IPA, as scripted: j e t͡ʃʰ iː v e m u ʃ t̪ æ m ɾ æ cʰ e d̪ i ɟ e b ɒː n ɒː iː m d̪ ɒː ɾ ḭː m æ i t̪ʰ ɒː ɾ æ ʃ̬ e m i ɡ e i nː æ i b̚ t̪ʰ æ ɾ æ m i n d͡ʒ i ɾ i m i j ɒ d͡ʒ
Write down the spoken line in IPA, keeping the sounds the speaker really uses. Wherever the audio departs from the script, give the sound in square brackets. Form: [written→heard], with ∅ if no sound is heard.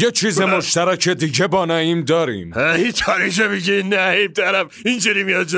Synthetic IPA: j e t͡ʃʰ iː [v→z] e m [u→o] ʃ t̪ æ [m→∅] ɾ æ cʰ e d̪ i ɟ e b ɒː n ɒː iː m d̪ ɒː ɾ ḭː m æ i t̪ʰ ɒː ɾ [æ→i] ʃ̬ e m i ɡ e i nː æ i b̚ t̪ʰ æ ɾ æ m i n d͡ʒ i ɾ i m i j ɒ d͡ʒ

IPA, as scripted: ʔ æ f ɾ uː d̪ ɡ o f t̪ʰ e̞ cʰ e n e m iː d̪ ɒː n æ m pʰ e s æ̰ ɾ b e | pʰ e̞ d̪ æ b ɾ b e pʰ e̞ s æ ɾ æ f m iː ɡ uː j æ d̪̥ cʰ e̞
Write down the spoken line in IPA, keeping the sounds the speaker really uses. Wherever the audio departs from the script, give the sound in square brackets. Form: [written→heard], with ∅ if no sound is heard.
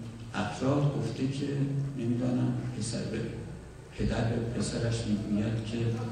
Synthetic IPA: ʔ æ f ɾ [uː→ɒː] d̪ ɡ o f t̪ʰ e̞ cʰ e n e m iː d̪ ɒː n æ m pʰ e s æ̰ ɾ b e | pʰ e̞ d̪ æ [b→∅] ɾ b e pʰ e̞ s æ ɾ æ [f→ʃ] m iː ɡ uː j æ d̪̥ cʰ e̞

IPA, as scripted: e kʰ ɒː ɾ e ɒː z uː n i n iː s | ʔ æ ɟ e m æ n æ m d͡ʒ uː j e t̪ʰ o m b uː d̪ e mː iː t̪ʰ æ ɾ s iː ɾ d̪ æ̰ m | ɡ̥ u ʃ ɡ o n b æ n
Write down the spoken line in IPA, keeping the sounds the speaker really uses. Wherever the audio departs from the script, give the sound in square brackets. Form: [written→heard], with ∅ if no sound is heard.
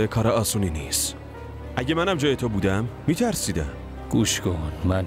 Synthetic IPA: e kʰ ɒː ɾ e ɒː [z→s] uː n i n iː s | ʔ æ ɟ e m æ n æ m d͡ʒ [uː→ɒː] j e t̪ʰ o [m→∅] b uː d̪ [e→æ] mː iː t̪ʰ æ ɾ s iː [ɾ→∅] d̪ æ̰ m | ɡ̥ u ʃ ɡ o n [b→m] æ n

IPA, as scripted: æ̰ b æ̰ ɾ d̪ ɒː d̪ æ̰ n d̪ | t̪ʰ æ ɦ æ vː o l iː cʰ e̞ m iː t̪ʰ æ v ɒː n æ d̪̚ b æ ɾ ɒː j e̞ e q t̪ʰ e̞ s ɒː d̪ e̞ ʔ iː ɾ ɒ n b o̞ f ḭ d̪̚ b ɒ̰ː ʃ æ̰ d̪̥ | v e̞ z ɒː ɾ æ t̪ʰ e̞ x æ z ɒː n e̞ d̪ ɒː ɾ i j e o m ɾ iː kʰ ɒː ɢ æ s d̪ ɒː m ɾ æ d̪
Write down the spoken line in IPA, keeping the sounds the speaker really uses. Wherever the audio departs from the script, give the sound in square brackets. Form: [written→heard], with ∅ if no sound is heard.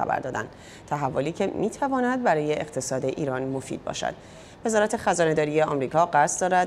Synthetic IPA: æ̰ b æ̰ ɾ d̪ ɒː d̪ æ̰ n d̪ | t̪ʰ æ ɦ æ vː o l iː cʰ e̞ m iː t̪ʰ æ v ɒː n æ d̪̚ b æ ɾ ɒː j e̞ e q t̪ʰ e̞ s ɒː d̪ e̞ ʔ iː ɾ ɒ n [b→m] o̞ f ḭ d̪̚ b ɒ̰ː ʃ æ̰ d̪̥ | v e̞ z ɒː ɾ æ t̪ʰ e̞ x æ z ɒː n e̞ d̪ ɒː ɾ i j e [o→ɒ] m ɾ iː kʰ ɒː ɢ æ s d̪ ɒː [m→∅] ɾ æ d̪

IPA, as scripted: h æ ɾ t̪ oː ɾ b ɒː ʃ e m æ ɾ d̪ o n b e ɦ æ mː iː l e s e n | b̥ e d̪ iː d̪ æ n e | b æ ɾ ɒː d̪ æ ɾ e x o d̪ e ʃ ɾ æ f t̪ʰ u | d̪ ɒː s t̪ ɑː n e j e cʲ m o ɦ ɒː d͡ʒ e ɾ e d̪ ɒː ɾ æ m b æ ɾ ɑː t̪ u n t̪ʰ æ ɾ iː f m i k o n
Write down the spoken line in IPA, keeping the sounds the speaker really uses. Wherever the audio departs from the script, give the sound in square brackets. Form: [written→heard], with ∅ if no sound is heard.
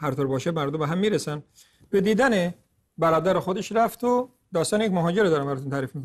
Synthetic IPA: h æ ɾ t̪ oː ɾ b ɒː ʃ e m æ ɾ d̪ o [n→m] b e ɦ æ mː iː [l→ɾ] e s [e→æ] n | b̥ e d̪ iː d̪ æ n e | b æ ɾ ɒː d̪ æ ɾ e x o d̪ e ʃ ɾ æ f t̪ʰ [u→o] | d̪ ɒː s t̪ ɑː n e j e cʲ m o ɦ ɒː d͡ʒ e ɾ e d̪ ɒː ɾ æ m b æ ɾ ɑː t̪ u n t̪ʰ æ ɾ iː f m i k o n

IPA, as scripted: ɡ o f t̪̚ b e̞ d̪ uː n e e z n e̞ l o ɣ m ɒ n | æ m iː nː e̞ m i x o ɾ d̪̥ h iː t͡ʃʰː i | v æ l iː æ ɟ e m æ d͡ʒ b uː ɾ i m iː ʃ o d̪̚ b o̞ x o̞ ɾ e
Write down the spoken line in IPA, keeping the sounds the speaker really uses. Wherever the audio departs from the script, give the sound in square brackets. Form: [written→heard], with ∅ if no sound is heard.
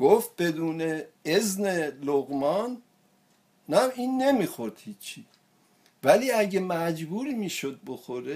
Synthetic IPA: ɡ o f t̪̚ b e̞ d̪ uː n e e z n e̞ l o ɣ m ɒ n | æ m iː nː e̞ m i x o ɾ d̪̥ h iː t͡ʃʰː i | v æ l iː æ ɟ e m æ d͡ʒ b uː ɾ i m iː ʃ o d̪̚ b o̞ x o̞ ɾ e

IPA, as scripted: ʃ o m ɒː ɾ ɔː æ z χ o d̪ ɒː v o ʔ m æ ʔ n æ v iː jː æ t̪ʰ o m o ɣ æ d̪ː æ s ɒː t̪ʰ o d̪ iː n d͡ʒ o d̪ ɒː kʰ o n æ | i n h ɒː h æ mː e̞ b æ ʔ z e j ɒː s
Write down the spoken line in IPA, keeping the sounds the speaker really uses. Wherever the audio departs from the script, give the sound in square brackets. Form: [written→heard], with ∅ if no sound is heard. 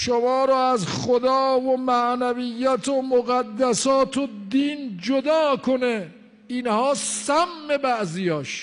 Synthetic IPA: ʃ o m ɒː ɾ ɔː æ z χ o d̪ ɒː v o [ʔ→∅] m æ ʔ n æ v [iː→i] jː æ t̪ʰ o m o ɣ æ d̪ː æ s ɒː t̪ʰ o d̪ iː n d͡ʒ o d̪ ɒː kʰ o n [æ→e] | i n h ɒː [h→s] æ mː e̞ b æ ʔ z [e→i] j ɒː [s→ʃ]

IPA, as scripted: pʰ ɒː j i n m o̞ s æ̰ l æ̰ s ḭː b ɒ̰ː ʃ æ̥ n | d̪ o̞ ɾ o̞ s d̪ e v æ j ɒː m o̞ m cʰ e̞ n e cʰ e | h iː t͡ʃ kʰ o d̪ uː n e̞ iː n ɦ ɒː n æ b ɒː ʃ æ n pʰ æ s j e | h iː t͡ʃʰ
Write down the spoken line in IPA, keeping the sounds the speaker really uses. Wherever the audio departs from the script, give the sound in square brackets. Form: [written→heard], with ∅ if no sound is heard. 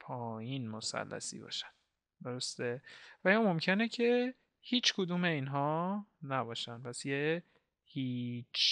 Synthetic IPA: pʰ ɒː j i n m o̞ s æ̰ [l→lː] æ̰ s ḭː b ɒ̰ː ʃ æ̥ n | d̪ o̞ ɾ o̞ s [d̪→t̪] e v æ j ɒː m o̞ m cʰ e̞ n e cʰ e | h iː t͡ʃ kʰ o d̪ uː [n→m] e̞ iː n ɦ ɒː n æ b ɒː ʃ æ n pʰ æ s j e | h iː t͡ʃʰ

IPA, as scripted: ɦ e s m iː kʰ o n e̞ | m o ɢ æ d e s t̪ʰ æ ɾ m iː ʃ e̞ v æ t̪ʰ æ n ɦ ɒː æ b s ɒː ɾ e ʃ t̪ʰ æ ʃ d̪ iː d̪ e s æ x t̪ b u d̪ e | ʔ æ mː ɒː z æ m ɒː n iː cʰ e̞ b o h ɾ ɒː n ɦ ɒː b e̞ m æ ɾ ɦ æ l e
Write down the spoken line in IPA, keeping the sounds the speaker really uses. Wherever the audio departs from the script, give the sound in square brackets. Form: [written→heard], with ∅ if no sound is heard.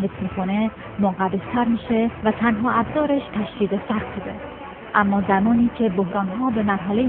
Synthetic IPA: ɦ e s m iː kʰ o n e̞ | m o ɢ æ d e s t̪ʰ æ ɾ m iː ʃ e̞ v æ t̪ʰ æ n ɦ ɒː æ b [s→z] ɒː ɾ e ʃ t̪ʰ æ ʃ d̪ iː d̪ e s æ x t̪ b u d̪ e | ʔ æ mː ɒː z æ m ɒː n iː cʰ e̞ b o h ɾ ɒː n ɦ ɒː b e̞ m æ ɾ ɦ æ l e

